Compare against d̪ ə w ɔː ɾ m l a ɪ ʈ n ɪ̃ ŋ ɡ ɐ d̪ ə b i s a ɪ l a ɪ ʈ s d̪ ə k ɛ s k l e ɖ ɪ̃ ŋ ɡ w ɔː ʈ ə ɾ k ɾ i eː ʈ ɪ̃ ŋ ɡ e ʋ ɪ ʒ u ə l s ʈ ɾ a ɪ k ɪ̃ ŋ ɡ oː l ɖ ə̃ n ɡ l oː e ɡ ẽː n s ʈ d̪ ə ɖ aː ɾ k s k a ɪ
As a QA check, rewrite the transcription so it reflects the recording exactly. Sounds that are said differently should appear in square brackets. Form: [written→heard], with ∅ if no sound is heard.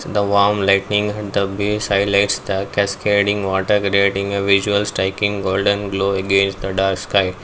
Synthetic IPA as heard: d̪ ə [w→ʋ] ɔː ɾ m l a ɪ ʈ n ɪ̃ ŋ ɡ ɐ d̪ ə b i s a ɪ l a ɪ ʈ s d̪ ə k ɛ s k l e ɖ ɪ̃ ŋ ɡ [w→ʋ] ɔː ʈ ə ɾ k ɾ i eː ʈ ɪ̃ ŋ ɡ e ʋ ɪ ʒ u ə l s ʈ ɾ a ɪ k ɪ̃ ŋ ɡ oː l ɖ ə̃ n ɡ l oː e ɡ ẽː n s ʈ d̪ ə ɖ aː ɾ k s k a ɪ